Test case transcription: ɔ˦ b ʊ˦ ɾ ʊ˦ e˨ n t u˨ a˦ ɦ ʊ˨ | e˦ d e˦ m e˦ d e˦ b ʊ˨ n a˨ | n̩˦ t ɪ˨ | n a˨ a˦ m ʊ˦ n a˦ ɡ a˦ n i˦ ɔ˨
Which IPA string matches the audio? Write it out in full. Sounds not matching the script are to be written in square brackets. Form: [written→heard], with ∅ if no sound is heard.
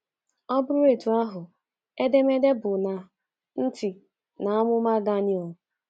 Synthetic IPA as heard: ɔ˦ b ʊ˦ ɾ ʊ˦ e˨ [n→∅] t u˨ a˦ ɦ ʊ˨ | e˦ d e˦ m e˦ d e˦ b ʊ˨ n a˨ | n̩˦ t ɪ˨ | n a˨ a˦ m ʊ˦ [n→m] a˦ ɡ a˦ n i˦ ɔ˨

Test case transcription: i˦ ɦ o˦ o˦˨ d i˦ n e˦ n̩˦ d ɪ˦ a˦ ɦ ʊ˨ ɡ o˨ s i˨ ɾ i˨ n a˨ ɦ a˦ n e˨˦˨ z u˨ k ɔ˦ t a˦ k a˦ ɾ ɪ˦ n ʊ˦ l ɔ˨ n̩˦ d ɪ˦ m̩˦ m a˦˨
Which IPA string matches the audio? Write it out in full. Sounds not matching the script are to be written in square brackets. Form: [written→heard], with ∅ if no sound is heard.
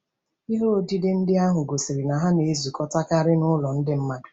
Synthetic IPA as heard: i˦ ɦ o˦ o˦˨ d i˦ [n→d] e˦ n̩˦ d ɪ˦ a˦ ɦ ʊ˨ ɡ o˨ s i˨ ɾ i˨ n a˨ ɦ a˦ n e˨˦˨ z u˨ k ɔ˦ t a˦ k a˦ ɾ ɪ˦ n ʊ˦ l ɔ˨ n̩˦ d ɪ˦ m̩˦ m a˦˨

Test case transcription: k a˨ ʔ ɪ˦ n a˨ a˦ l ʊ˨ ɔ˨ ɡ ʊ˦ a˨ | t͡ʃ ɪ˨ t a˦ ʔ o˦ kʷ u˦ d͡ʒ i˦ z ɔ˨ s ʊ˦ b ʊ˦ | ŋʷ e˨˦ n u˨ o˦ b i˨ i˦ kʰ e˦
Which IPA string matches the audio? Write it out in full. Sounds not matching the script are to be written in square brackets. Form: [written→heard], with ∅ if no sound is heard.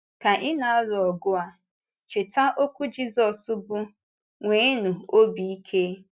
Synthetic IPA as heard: k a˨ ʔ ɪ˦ n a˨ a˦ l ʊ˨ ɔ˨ ɡ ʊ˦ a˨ | t͡ʃ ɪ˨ t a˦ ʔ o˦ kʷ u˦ d͡ʒ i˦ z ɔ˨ s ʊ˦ b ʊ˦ | ŋʷ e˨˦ n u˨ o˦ b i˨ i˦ kʰ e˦

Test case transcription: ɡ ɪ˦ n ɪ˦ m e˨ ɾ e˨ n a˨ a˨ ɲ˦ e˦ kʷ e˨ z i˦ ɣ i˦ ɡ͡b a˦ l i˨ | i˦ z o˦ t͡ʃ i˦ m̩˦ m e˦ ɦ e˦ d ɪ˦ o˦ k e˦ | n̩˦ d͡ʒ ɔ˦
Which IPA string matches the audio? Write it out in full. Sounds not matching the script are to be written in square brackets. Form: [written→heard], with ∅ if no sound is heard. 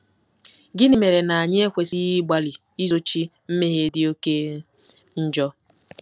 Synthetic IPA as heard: ɡ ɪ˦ n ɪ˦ m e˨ ɾ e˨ n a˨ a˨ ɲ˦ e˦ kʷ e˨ [z→s] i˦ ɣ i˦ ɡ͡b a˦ l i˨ | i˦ z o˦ t͡ʃ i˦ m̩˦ m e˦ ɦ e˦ d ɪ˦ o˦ k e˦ | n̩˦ d͡ʒ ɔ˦

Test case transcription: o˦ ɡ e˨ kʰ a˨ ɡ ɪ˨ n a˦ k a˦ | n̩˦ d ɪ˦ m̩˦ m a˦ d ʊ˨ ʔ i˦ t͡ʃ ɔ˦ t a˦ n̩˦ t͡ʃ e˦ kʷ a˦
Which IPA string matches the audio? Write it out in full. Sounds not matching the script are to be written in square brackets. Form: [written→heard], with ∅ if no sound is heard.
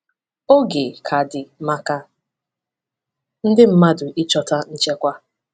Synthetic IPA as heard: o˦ ɡ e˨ kʰ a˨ [ɡ→d] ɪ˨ [n→m] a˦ k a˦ | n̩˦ d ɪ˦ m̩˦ m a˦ d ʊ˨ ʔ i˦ t͡ʃ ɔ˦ t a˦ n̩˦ t͡ʃ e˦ kʷ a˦

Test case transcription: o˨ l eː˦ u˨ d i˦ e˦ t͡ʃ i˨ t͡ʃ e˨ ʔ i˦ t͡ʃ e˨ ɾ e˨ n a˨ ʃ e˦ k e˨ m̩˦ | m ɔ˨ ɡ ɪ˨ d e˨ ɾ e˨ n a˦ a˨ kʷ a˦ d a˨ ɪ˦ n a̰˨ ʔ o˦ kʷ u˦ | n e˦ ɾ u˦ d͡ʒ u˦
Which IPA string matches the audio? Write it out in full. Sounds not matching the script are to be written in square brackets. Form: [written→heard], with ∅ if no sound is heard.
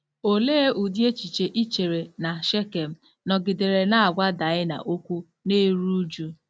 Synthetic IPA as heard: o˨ l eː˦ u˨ d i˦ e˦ t͡ʃ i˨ t͡ʃ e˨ ʔ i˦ t͡ʃ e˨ ɾ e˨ n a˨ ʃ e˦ k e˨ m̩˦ | [m→n] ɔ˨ ɡ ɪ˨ d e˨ ɾ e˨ n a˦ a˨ [kʷ→ɡʷ] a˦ d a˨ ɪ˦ n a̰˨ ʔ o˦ kʷ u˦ | n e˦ ɾ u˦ d͡ʒ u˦

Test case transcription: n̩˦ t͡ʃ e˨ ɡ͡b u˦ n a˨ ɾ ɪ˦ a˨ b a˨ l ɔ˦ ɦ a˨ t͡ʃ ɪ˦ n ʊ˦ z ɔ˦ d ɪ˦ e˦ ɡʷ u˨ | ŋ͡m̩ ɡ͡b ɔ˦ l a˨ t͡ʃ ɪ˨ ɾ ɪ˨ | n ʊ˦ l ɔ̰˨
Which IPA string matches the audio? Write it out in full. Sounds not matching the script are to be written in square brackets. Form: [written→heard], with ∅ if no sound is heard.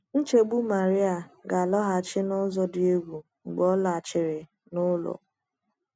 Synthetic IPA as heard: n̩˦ t͡ʃ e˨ ɡ͡b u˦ [n→m] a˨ ɾ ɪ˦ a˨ [b→ɡ] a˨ l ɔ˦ ɦ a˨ t͡ʃ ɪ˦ n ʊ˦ z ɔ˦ d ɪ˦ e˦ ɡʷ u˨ | ŋ͡m̩ ɡ͡b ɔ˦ l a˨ t͡ʃ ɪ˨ ɾ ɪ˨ | n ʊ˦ l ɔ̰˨

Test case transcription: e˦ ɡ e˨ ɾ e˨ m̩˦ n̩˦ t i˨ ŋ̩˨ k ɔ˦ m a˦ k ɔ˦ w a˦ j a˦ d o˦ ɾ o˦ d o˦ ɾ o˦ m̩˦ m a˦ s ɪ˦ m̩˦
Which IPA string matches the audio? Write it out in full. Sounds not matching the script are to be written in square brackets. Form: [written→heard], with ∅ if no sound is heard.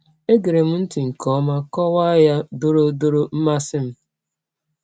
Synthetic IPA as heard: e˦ ɡ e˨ ɾ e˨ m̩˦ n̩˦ t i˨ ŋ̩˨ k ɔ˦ m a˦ k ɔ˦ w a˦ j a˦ d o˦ ɾ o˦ d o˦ ɾ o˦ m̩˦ m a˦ s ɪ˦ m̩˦

